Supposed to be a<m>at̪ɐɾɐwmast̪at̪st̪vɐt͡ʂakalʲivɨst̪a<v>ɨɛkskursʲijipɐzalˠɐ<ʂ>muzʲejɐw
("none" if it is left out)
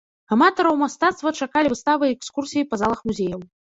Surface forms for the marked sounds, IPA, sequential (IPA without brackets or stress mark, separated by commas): m, v, x